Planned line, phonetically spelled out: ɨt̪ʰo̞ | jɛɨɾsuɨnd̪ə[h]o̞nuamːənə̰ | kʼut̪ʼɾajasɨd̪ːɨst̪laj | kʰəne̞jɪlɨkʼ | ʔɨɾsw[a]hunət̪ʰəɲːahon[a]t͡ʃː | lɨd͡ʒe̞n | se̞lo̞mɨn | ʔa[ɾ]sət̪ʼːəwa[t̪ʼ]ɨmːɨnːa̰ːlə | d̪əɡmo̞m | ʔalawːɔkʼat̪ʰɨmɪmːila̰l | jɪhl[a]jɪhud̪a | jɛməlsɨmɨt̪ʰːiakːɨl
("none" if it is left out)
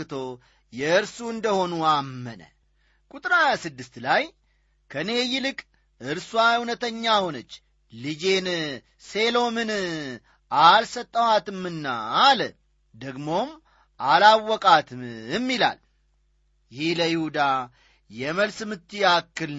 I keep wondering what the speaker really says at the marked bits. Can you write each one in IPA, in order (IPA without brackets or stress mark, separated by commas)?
h, a, ə, l, t̪, ə